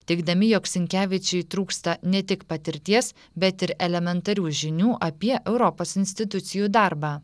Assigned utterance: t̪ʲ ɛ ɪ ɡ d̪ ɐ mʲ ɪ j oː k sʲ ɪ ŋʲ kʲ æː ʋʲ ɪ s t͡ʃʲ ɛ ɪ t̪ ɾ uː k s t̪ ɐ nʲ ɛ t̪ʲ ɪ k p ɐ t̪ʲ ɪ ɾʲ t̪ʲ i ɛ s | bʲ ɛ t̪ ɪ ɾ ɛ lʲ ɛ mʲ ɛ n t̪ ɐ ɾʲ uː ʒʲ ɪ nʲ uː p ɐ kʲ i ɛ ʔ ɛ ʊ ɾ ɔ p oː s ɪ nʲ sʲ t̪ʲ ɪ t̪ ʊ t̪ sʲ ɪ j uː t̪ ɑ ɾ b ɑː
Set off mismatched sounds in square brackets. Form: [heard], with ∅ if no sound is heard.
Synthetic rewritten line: t̪ʲ ɛ ɪ ɡ d̪ ɐ mʲ ɪ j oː k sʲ ɪ ŋʲ kʲ æː ʋʲ ɪ [∅] t͡ʃʲ ɛ ɪ t̪ ɾ uː k s t̪ ɐ nʲ ɛ t̪ʲ ɪ k p ɐ t̪ʲ ɪ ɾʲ t̪ʲ i ɛ s | bʲ ɛ t̪ ɪ ɾ ɛ lʲ ɛ mʲ ɛ n t̪ ɐ ɾʲ uː ʒʲ ɪ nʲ uː [ʔ] ɐ [pʲ] i ɛ ʔ ɛ ʊ ɾ ɔ p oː s ɪ nʲ sʲ t̪ʲ ɪ t̪ ʊ t̪ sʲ ɪ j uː [d̪] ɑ ɾ b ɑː